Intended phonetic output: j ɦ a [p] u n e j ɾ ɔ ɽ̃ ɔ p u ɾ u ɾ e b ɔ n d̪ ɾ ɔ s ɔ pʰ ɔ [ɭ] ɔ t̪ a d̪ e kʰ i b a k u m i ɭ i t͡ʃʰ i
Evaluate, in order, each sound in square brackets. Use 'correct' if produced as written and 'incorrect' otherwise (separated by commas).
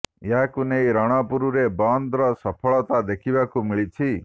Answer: incorrect, correct